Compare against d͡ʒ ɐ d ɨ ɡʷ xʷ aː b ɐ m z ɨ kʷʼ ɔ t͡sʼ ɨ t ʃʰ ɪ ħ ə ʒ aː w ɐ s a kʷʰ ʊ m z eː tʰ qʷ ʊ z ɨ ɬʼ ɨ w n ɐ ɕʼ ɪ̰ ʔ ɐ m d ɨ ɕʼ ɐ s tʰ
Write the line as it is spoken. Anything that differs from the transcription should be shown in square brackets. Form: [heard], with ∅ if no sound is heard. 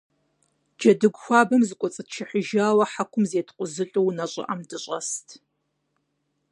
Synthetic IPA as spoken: d͡ʒ ɐ d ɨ ɡʷ xʷ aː b ɐ m z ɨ kʷʼ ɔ t͡sʼ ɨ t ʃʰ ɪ ħ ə ʒ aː w ɐ [ħ] a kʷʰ ʊ m z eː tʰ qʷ ʊ z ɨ ɬʼ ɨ w n ɐ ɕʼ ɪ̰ ʔ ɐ m d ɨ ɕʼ ɐ s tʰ